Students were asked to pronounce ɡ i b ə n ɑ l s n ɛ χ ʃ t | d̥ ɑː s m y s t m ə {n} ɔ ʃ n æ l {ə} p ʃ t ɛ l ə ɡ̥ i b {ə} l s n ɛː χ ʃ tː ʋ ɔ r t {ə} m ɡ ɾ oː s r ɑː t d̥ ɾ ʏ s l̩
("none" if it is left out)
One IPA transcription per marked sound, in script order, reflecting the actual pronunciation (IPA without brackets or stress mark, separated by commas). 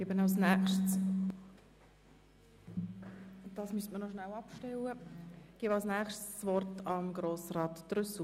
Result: n, ɑ, ɑ, ɑ